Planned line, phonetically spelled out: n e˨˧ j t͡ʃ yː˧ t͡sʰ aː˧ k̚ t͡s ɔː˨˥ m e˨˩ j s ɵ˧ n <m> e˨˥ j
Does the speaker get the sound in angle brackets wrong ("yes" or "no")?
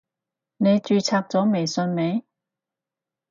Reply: no